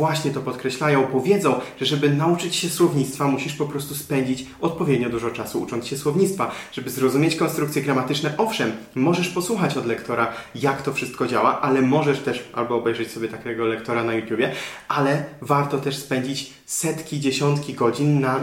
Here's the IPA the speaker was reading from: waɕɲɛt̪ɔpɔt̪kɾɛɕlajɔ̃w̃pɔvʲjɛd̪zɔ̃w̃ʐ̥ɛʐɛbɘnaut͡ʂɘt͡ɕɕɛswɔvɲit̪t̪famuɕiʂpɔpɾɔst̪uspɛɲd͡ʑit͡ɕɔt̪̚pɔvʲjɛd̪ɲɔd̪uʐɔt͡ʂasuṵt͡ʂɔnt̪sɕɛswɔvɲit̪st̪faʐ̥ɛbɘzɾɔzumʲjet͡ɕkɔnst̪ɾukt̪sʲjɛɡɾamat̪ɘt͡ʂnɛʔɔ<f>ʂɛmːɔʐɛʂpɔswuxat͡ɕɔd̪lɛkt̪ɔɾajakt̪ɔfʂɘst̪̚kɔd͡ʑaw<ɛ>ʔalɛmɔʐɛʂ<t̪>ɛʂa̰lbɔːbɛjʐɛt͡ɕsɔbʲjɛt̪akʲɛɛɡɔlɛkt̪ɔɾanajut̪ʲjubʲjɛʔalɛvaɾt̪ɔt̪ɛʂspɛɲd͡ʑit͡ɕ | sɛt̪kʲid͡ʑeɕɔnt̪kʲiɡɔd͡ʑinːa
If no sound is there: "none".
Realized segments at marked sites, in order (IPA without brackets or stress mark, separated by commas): f, a, t̪